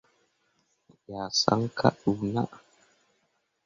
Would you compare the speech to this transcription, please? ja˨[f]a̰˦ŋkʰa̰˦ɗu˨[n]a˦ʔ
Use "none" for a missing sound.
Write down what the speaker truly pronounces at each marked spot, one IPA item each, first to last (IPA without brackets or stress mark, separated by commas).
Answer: s, n